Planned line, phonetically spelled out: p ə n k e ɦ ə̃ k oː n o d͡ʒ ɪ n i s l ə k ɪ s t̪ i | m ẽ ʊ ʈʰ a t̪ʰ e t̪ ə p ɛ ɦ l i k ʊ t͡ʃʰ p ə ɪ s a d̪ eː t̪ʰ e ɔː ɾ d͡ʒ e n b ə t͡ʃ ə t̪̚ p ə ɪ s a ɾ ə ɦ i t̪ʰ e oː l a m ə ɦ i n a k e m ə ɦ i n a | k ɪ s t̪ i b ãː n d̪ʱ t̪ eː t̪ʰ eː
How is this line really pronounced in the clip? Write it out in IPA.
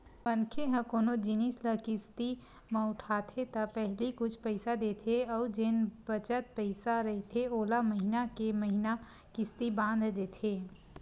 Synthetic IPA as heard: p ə n kʰ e ɦ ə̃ k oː n o d͡ʒ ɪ n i s l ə k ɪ s t̪ i | m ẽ ʊ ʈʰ a t̪ʰ e t̪ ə p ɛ ɦ l i k ʊ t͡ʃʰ p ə ɪ s a d̪ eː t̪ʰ e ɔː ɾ d͡ʒ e n b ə t͡ʃ ə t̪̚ p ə ɪ s a ɾ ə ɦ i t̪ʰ e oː l a m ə ɦ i n a k e m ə ɦ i n a | k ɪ s t̪ i b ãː n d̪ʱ d̪ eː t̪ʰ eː